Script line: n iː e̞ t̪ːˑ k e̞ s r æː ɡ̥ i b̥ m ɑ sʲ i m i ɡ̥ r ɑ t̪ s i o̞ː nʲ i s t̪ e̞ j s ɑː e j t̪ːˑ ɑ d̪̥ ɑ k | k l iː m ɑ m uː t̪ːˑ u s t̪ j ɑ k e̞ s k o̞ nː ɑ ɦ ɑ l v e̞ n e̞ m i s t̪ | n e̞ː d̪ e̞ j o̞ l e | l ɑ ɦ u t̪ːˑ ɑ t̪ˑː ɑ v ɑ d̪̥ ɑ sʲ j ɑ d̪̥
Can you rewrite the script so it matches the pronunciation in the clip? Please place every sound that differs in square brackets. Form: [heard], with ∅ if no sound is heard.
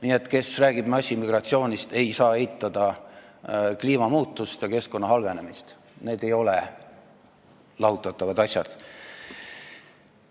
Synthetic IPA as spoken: n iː e̞ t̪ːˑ k e̞ s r æː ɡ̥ i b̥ m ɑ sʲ i m i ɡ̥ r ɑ t̪ s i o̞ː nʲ i s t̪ e̞ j s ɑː e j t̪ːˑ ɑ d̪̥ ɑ [∅] | k l iː m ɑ m uː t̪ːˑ u s t̪ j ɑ k e̞ s k o̞ nː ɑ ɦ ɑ l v e̞ n e̞ m i s t̪ | n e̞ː d̪ e̞ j o̞ l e | l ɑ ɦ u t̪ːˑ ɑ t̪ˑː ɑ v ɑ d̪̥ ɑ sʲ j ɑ d̪̥